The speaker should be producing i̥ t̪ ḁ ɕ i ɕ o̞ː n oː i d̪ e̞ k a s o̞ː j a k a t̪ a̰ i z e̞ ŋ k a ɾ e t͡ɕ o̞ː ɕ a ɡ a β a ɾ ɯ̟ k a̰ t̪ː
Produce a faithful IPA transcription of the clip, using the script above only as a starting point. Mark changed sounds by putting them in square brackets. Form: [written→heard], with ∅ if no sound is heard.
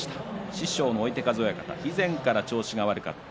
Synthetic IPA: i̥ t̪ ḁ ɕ i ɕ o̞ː n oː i [d̪→t̪] e̞ k a [s→z] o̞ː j a k a t̪ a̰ i z [e̞→ẽ̞] ŋ k a ɾ [e→a] t͡ɕ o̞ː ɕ [a→i] ɡ a β a ɾ ɯ̟ k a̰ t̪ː

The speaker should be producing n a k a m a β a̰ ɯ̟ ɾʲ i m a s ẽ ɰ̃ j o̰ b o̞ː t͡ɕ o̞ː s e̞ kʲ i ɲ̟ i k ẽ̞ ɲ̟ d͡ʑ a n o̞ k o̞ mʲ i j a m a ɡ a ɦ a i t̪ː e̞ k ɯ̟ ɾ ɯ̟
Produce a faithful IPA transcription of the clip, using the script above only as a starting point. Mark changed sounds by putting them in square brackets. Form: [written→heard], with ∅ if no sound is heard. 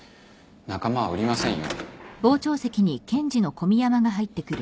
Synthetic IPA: n a k a m a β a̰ ɯ̟ ɾʲ i m a s ẽ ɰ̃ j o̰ b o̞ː t͡ɕ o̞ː s e̞ kʲ i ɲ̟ i k ẽ̞ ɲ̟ d͡ʑ [a→i] n o̞ k o̞ mʲ i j a m a ɡ a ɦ a i t̪ː e̞ k ɯ̟ ɾ ɯ̟

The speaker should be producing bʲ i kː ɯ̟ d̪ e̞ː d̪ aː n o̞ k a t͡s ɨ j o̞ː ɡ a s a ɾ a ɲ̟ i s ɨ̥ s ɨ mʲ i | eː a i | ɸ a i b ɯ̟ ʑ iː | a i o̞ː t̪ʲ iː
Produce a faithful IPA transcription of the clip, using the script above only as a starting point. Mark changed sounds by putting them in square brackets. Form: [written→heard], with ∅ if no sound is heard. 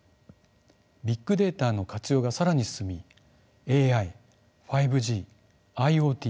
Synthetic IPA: bʲ i kː ɯ̟ d̪ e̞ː [d̪→t̪] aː n o̞ k a t͡s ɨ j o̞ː ɡ a s a ɾ a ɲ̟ i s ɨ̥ s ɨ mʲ i | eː a i | ɸ a i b ɯ̟ ʑ iː | a i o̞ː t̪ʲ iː

